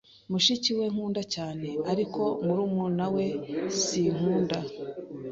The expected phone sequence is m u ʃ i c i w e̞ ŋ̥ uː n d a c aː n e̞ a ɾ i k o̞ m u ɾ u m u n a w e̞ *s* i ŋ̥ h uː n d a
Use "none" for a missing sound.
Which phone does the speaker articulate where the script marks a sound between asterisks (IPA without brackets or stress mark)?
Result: s